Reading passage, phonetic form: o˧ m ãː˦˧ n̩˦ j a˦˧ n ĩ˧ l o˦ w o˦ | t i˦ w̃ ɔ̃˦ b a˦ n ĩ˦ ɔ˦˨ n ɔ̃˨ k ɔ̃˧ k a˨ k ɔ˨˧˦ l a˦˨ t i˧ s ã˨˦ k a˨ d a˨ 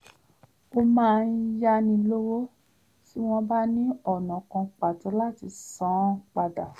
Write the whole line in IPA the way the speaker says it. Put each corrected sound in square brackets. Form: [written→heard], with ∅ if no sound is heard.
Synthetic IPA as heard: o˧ m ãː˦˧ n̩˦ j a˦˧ n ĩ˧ l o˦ w o˦ | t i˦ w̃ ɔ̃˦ b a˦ n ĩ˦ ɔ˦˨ n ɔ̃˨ k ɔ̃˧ [k→k͡p] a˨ [k→t] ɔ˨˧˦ l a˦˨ t i˧ s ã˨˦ [k→k͡p] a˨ d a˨